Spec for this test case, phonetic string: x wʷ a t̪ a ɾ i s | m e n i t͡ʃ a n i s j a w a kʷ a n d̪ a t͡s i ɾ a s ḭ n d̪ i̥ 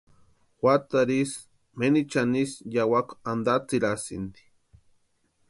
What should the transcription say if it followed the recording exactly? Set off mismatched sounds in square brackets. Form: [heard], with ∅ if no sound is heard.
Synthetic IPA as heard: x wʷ a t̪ a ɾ i s | m e n i t͡ʃ a n i s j a w a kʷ a n d̪ a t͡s i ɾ a s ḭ n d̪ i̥